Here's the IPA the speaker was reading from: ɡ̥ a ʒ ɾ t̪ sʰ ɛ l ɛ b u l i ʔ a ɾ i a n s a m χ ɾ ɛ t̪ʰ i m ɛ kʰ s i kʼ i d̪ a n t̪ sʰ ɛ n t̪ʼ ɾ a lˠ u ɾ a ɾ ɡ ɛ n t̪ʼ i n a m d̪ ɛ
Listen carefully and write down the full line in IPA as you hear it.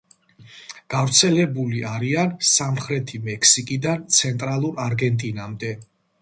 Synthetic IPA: ɡ̥ a v ɾ t̪ sʰ ɛ l ɛ b u l i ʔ a ɾ i a n s a m χ ɾ ɛ t̪ʰ i m ɛ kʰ s i kʼ i d̪ a n t̪ sʰ ɛ n t̪ʼ ɾ a lˠ u ɾ a ɾ ɡ ɛ n t̪ʼ i n a m d̪ ɛ